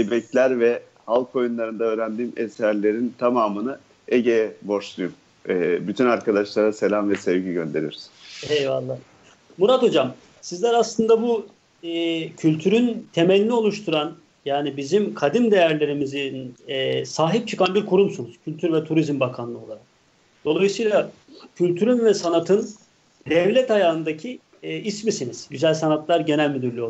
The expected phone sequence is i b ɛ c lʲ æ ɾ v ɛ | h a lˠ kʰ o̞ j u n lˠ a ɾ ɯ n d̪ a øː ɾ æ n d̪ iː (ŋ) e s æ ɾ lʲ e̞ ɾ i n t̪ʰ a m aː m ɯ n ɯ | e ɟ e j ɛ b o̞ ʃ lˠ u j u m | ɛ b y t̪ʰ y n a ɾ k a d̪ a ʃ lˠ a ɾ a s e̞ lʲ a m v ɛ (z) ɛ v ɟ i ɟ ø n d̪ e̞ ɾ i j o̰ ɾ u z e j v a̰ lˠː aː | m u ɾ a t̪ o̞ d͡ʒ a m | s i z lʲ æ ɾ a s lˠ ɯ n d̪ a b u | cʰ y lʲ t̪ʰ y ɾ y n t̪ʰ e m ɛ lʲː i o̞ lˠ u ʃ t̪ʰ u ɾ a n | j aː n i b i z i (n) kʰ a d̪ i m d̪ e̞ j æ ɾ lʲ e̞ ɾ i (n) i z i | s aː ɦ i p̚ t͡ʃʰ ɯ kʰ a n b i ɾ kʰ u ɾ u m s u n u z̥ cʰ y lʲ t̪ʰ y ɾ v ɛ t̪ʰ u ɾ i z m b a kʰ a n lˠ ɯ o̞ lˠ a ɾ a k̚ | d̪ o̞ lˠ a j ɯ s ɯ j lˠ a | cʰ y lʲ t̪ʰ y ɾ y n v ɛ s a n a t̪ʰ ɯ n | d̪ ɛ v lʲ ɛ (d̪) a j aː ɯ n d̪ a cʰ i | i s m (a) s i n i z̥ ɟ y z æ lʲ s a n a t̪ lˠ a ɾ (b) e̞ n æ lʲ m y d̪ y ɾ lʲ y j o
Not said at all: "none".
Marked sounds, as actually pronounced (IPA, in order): m, s, m, m, t̪, i, ɟ

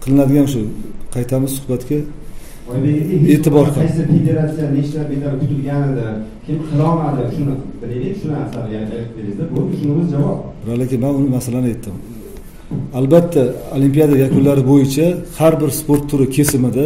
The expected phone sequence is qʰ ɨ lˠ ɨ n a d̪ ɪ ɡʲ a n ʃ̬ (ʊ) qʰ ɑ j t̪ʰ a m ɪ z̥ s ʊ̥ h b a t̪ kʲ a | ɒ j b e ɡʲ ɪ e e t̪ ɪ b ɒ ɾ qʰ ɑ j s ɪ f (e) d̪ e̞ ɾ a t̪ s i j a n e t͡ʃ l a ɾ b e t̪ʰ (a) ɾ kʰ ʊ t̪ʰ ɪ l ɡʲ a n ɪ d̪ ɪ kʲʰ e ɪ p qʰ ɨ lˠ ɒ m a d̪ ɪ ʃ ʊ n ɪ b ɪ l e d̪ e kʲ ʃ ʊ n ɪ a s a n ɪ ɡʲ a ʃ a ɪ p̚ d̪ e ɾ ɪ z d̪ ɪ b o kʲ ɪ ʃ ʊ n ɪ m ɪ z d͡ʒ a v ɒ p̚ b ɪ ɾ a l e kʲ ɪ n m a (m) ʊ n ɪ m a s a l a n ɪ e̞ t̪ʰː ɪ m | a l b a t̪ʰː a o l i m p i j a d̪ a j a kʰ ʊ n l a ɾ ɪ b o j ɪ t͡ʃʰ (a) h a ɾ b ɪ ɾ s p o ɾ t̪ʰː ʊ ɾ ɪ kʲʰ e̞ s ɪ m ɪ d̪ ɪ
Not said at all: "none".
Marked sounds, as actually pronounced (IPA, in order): ʊ, e, a, n, a

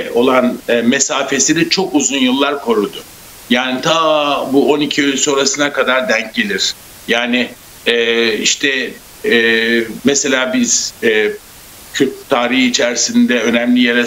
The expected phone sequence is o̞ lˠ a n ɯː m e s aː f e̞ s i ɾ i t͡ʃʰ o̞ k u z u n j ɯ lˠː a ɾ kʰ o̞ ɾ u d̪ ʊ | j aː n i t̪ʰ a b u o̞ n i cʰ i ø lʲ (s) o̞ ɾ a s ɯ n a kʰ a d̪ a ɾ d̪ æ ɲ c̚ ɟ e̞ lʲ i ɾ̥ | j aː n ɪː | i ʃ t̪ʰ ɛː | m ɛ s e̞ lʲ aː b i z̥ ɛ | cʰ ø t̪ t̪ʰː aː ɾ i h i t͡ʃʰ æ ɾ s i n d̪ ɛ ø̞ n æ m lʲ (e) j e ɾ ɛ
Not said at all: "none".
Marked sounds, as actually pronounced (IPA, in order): s, i

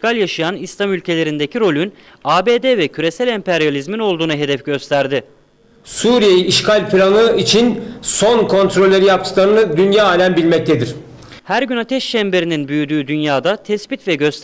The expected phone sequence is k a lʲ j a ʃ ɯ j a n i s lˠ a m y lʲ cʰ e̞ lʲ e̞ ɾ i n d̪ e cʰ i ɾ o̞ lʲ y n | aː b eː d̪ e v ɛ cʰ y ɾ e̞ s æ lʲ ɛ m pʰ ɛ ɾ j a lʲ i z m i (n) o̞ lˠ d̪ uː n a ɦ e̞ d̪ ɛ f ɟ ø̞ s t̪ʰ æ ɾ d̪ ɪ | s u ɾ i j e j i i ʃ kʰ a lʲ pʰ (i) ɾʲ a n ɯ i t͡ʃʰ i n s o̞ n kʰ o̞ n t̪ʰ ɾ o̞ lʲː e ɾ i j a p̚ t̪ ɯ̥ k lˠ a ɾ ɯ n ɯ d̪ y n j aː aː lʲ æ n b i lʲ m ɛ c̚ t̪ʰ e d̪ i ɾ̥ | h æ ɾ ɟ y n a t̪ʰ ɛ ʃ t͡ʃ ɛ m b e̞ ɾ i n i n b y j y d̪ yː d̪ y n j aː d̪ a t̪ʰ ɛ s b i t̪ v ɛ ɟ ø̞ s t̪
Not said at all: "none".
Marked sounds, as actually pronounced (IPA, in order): n, i

